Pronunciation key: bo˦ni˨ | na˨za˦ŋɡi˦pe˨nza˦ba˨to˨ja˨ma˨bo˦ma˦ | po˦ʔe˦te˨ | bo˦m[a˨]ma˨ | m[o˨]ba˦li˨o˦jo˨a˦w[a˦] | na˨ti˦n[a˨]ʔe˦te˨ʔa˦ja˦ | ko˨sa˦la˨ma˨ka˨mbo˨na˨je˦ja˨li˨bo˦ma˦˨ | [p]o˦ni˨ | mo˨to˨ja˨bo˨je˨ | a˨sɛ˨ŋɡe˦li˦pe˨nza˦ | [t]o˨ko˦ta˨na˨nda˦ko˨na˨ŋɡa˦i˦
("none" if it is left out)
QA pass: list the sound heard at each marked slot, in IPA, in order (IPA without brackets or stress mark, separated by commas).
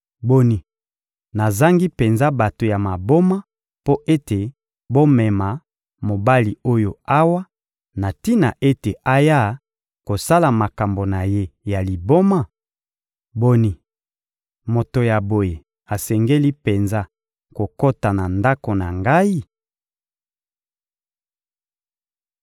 ɛ˨, o˨, a˦, a˨, b, k